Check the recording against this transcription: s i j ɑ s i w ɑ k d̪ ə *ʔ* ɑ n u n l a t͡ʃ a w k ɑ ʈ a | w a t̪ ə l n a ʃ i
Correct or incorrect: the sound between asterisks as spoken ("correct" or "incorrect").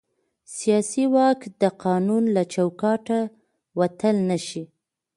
incorrect